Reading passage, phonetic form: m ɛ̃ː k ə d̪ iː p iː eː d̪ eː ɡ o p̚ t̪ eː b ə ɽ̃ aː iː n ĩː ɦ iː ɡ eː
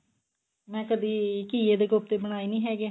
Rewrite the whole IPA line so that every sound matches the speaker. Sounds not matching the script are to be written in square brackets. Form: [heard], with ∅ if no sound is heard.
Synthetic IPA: m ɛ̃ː k ə d̪ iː [k] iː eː d̪ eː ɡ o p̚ t̪ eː b ə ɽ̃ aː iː n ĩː ɦ [ɛː] ɡ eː